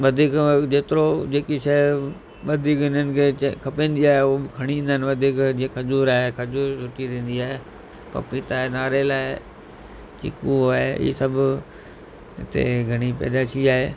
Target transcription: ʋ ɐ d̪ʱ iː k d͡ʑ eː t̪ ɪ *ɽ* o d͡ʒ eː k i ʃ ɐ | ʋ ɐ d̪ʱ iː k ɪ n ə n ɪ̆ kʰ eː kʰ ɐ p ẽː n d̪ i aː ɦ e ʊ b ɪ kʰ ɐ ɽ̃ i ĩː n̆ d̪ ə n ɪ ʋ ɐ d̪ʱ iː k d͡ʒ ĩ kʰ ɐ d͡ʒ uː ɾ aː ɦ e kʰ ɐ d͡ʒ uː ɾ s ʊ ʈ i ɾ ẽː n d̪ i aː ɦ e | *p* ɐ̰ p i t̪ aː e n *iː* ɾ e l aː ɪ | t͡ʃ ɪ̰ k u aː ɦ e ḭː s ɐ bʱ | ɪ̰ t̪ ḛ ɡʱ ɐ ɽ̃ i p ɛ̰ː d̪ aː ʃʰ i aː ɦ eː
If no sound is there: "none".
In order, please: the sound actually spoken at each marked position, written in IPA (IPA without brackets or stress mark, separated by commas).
ɾ, p, aː